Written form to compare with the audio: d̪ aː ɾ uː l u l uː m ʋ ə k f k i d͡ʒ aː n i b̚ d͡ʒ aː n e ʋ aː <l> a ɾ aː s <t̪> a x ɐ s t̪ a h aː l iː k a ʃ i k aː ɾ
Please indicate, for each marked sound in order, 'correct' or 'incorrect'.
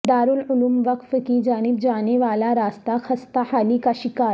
correct, correct

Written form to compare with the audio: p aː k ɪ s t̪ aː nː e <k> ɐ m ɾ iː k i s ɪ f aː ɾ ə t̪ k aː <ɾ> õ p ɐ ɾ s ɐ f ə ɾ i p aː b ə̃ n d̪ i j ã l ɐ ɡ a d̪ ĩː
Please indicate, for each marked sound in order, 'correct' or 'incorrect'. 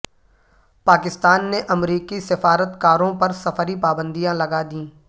incorrect: ʔ, correct

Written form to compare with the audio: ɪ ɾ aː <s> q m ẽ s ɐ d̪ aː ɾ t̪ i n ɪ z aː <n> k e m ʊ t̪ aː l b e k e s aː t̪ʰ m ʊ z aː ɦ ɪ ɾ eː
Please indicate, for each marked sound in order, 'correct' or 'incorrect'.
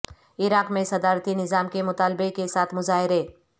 incorrect: none, incorrect: m

